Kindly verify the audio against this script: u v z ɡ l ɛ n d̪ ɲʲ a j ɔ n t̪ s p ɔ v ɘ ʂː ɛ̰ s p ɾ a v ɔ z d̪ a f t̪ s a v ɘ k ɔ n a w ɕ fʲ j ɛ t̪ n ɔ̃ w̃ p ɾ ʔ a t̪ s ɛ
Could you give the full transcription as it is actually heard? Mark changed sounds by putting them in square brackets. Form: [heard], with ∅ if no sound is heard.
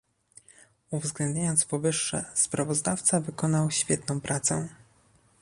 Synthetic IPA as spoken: u v z ɡ l ɛ n d̪ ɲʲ a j ɔ n t̪ s p ɔ v ɘ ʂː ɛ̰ s p ɾ a v ɔ z d̪ a f t̪ s a v ɘ k ɔ n a w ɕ fʲ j ɛ t̪ n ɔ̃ w̃ p ɾ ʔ a t̪ s ɛ